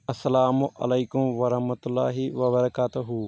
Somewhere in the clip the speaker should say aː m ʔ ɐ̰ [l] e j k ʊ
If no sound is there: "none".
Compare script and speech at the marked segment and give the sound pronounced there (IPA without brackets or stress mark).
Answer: l